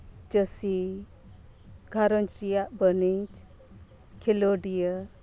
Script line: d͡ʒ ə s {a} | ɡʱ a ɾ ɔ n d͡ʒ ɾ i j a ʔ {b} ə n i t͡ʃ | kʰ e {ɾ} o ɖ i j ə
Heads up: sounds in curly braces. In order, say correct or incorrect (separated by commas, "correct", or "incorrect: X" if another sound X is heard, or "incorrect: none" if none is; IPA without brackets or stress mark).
incorrect: i, correct, incorrect: l